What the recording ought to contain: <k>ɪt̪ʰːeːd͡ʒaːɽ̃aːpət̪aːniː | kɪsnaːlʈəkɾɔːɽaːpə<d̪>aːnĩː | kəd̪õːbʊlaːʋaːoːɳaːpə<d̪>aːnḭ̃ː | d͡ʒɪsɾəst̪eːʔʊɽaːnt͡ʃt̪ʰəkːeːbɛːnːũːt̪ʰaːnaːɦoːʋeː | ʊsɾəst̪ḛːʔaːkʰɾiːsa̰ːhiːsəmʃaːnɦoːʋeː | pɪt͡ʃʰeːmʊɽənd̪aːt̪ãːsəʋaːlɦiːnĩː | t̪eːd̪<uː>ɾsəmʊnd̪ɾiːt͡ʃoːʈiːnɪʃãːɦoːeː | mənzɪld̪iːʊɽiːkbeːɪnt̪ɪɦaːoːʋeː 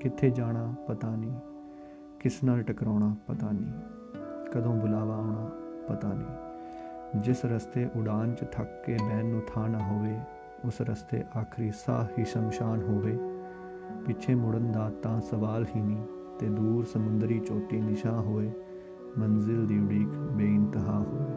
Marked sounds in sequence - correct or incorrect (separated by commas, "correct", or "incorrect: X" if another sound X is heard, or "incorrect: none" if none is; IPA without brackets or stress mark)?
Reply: correct, incorrect: t̪, incorrect: t̪, correct